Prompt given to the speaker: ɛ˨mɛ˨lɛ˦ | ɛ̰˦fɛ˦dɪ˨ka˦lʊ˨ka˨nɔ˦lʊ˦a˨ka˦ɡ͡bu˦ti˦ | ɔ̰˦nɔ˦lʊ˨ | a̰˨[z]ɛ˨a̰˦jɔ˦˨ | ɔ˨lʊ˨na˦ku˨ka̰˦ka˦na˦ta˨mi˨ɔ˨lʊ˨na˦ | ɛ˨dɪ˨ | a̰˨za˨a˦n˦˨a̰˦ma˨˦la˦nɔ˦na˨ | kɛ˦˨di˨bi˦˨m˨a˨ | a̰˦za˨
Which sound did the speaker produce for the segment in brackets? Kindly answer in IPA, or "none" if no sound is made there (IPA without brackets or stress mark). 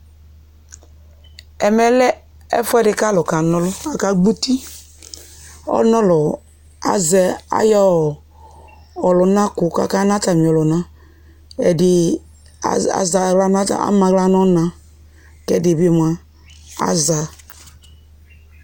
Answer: z